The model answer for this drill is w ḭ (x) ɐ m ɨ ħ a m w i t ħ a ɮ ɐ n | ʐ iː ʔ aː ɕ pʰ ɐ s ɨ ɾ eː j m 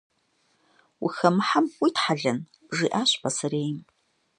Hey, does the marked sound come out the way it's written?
yes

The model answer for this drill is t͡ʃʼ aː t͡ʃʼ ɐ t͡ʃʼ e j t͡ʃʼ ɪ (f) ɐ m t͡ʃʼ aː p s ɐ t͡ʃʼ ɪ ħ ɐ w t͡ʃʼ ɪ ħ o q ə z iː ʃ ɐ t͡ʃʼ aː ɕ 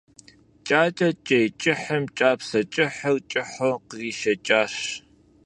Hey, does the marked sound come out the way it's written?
no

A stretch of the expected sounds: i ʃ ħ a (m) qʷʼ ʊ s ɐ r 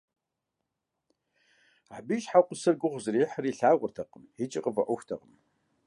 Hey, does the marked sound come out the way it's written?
no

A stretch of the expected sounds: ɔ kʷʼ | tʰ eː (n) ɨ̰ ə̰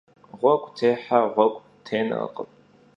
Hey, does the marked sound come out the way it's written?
yes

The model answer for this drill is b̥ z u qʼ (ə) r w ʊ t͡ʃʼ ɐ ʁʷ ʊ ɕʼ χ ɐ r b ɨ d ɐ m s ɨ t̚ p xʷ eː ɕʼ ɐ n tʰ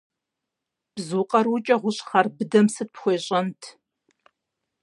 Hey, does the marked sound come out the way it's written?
no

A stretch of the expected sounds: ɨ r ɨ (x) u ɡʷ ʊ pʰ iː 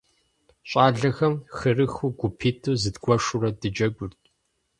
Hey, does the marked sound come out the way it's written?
yes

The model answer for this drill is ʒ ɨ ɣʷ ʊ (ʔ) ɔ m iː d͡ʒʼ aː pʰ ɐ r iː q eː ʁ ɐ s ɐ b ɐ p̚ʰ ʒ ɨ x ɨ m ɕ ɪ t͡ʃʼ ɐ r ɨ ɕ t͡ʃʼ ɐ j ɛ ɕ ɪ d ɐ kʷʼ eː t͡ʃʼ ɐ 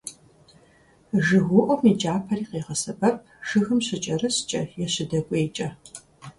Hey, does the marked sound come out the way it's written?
yes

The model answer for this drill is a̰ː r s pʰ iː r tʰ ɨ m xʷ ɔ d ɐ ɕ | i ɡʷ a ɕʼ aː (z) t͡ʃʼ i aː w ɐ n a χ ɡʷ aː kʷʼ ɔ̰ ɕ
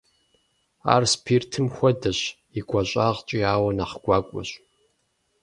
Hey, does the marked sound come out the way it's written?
no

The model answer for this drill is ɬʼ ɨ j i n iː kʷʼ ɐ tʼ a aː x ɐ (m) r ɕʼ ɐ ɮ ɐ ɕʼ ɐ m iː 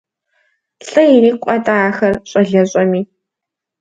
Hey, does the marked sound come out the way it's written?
no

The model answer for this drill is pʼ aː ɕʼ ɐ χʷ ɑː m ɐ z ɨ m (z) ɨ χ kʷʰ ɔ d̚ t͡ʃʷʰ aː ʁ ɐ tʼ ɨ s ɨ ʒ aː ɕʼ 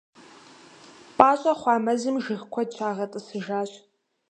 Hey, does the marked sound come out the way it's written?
no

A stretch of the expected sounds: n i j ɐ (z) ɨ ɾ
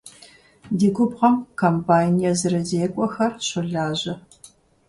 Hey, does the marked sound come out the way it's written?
yes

